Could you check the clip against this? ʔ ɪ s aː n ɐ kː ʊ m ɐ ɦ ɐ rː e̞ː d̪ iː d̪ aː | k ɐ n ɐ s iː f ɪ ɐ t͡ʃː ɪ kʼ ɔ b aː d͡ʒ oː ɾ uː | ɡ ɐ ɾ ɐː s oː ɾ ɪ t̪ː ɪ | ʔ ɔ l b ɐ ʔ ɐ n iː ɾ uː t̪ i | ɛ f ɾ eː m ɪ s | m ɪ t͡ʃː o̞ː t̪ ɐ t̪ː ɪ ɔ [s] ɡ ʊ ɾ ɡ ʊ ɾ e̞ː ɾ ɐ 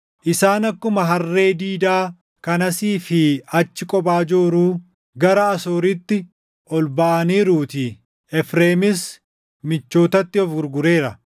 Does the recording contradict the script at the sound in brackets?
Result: yes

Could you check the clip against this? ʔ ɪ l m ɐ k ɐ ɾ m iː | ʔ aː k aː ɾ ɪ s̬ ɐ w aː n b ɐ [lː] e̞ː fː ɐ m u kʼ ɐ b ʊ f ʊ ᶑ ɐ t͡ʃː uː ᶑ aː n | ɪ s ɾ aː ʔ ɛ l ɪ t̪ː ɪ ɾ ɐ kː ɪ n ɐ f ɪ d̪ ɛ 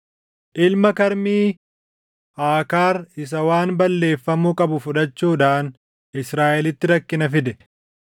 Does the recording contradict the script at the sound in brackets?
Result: no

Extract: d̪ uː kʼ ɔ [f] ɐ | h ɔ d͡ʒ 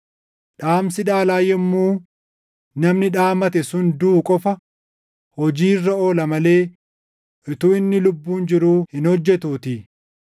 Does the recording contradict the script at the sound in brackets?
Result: no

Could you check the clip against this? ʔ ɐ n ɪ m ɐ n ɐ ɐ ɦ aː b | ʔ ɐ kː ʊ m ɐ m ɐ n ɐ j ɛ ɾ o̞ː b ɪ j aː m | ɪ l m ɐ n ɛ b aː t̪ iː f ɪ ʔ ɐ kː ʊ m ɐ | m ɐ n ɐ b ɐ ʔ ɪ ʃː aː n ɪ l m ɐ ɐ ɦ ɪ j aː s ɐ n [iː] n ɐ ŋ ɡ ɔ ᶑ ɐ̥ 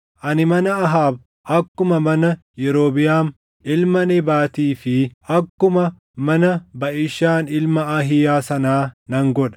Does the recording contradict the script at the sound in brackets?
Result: yes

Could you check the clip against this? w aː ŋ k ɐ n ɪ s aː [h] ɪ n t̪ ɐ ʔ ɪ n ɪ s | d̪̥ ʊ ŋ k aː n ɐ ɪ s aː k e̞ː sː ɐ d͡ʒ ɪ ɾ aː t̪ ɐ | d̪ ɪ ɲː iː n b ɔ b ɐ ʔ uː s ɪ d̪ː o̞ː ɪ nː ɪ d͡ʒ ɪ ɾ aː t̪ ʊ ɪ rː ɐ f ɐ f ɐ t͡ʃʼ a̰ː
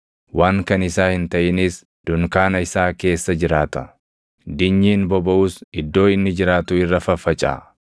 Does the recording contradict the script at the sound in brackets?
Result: no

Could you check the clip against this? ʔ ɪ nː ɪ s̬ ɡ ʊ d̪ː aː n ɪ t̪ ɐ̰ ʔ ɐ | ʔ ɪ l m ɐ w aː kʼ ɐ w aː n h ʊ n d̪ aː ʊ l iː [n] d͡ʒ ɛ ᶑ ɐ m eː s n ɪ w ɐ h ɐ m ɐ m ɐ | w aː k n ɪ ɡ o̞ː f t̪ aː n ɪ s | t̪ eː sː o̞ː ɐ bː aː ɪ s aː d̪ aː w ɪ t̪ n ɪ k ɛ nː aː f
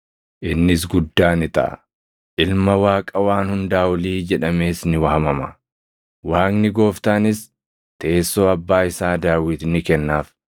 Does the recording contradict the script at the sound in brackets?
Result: yes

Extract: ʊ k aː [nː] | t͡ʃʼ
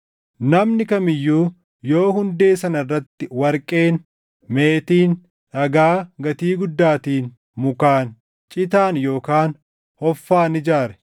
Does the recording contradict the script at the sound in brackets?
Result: yes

